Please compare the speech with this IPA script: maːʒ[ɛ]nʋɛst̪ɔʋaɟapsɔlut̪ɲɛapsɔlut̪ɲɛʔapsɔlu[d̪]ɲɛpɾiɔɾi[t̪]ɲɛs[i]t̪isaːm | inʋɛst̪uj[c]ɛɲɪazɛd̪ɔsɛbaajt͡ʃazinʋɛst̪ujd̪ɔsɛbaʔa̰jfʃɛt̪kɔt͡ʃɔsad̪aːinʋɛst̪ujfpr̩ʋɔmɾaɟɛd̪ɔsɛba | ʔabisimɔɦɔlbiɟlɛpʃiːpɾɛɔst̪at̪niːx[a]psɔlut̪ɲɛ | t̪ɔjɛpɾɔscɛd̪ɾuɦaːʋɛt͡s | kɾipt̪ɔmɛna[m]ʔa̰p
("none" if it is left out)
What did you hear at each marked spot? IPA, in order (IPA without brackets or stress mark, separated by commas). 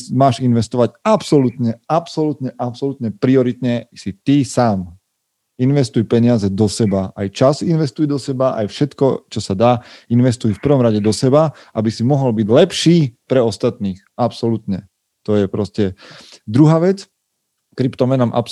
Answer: i, t̪, t̪, i, p, a, m